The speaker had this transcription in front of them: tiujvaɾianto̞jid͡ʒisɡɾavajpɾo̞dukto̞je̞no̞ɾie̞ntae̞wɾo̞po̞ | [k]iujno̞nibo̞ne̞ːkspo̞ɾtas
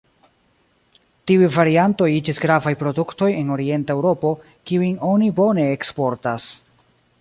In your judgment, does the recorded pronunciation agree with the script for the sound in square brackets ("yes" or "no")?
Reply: yes